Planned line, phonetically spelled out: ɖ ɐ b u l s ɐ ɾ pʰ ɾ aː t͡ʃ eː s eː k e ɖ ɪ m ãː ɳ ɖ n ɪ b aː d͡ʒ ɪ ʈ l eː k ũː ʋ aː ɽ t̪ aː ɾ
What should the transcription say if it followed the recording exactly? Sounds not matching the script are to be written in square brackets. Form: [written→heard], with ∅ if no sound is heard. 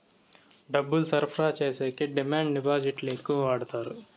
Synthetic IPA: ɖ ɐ b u l s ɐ ɾ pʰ ɾ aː t͡ʃ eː s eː k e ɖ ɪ m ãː ɳ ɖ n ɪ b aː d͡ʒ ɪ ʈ l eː k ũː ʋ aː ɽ t̪ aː ɾ